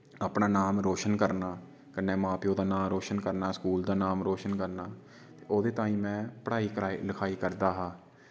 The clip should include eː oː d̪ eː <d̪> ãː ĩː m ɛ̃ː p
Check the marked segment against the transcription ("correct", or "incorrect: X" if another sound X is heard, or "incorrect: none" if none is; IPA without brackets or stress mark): incorrect: t̪